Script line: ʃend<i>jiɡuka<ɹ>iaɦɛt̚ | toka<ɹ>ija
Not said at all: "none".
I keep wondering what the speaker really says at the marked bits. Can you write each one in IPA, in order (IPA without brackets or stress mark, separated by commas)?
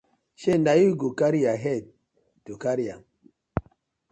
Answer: a, ɾ, ɾ